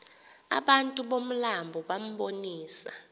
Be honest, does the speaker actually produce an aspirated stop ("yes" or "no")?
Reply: no